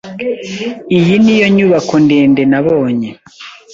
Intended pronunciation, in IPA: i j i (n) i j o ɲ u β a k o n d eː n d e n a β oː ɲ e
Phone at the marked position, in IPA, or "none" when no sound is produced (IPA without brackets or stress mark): n